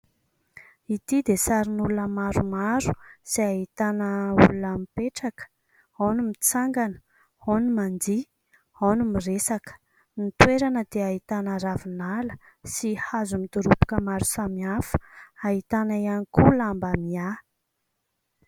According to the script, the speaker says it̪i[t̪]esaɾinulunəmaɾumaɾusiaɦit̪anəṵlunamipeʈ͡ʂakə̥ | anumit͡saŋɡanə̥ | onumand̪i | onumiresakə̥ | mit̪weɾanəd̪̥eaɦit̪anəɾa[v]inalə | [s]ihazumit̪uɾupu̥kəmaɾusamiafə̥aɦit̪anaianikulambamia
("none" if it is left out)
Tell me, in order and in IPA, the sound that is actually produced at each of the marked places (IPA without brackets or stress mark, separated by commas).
d̪, v, s